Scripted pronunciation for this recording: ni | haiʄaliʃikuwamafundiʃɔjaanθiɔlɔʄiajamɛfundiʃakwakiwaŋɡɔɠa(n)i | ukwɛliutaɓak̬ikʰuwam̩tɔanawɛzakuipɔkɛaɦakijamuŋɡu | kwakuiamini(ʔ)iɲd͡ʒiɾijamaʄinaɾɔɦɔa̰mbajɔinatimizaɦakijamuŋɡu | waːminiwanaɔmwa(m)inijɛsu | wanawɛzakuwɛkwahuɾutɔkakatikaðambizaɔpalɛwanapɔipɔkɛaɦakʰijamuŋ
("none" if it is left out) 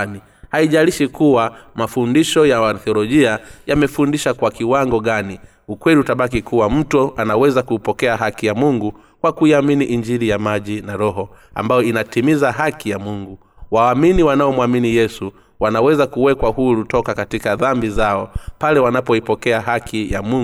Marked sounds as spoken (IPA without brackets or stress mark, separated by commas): n, ʔ, m